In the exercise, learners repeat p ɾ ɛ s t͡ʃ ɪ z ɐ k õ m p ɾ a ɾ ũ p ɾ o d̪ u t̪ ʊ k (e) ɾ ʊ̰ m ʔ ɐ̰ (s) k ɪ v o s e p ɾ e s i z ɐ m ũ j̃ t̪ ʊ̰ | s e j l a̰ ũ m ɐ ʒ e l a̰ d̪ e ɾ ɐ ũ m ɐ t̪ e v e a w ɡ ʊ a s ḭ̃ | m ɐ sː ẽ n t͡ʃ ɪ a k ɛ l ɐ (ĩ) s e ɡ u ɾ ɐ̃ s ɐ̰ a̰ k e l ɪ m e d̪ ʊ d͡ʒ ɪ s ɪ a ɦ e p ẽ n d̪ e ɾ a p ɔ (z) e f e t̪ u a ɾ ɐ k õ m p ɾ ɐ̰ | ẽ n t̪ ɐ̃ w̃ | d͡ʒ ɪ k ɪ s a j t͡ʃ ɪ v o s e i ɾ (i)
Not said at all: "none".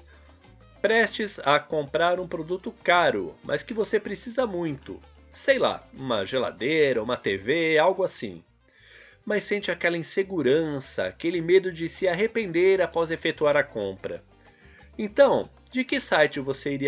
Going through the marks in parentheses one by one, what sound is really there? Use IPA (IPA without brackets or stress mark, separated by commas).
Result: a, s, ĩ, z, i